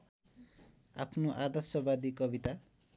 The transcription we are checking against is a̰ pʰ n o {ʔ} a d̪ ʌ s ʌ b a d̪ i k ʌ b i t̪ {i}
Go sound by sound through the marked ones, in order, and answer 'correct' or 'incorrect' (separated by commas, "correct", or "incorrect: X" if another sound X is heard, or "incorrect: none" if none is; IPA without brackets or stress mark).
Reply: correct, incorrect: a